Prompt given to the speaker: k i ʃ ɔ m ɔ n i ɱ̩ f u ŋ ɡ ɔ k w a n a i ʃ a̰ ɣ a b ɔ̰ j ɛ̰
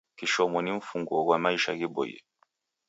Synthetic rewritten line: k i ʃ ɔ m ɔ n i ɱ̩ f u ŋ ɡ ɔ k w a m a i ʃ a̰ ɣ i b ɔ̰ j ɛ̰